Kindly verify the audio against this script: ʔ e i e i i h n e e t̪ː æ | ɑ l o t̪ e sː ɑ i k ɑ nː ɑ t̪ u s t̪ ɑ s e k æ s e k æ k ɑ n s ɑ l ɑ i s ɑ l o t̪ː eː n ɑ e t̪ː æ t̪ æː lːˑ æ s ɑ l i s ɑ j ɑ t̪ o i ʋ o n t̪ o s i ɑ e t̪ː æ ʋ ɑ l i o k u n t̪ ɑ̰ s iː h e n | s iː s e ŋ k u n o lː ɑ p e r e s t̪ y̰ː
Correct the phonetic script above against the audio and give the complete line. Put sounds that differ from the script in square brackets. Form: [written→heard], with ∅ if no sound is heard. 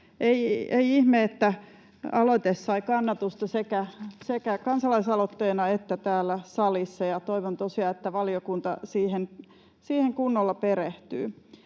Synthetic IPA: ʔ e i e i i h [n→m] e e t̪ː æ | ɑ l o t̪ e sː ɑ i k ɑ nː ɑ t̪ u s t̪ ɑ s e k æ s e k æ k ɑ n s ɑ l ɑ i s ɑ l o t̪ː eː n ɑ e t̪ː æ t̪ æː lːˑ æ s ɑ l i [s→sː] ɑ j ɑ t̪ o i ʋ o n t̪ o s i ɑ e t̪ː æ ʋ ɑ l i o k u n t̪ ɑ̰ s iː h e n | s iː [s→h] e ŋ k u [n→nː] o lː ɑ p e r e [s→h] t̪ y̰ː